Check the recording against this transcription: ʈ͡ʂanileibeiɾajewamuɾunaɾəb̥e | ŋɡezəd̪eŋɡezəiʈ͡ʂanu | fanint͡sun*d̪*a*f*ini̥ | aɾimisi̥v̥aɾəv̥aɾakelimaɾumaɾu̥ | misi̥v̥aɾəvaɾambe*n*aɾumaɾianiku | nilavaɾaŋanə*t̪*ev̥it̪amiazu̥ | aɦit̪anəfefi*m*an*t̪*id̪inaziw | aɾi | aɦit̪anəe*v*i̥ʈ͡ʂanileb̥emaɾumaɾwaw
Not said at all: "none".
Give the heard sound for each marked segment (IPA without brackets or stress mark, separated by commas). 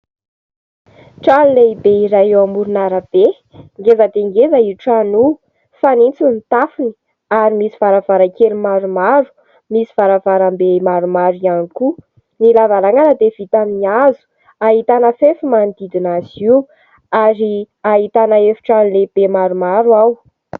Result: t̪, f, m, d̪, m, d̪, f